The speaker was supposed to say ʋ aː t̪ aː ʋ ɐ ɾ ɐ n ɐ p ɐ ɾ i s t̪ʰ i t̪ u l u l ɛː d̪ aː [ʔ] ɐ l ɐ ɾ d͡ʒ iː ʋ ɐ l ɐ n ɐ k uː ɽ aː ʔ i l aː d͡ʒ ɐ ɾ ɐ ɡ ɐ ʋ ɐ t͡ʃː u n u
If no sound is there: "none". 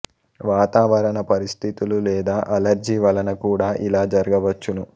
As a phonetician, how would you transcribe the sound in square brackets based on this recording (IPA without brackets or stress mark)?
ʔ